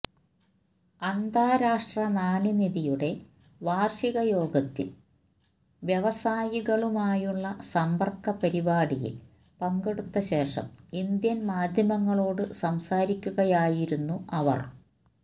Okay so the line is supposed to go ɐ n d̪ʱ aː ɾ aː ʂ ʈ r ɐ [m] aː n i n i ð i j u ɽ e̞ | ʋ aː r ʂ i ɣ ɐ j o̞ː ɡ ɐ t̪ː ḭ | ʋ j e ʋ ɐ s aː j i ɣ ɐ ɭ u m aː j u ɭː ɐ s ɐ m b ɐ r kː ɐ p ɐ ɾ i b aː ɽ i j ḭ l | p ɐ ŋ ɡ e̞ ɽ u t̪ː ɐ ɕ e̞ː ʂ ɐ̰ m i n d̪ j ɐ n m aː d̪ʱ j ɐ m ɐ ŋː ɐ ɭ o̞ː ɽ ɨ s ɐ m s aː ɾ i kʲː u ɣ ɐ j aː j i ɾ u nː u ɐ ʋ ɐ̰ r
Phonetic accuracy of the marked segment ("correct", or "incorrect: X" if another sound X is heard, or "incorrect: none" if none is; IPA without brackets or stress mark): incorrect: n